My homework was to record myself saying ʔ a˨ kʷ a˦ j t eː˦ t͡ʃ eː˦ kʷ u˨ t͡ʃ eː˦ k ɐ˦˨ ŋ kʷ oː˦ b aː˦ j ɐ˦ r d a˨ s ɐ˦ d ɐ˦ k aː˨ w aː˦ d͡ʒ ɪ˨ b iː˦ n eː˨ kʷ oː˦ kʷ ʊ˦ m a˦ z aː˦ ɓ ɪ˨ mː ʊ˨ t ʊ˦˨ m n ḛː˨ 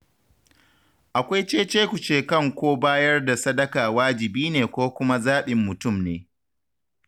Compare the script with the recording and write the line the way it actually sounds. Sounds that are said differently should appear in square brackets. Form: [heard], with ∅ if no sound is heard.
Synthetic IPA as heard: ʔ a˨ kʷ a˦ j [t͡ʃ] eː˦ t͡ʃ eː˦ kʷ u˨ t͡ʃ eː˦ k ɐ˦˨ ŋ kʷ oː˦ b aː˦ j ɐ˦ r d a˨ s ɐ˦ d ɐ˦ k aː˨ w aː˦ d͡ʒ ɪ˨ b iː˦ n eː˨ kʷ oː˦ kʷ ʊ˦ m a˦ z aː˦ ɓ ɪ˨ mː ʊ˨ t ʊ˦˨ m n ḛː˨